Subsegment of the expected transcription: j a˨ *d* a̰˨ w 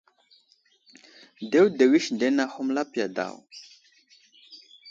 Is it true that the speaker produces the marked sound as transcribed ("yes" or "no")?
yes